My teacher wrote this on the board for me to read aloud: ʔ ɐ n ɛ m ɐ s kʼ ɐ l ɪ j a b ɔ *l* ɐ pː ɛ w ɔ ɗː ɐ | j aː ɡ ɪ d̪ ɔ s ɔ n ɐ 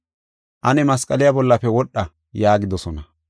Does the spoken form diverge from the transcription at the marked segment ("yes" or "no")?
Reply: yes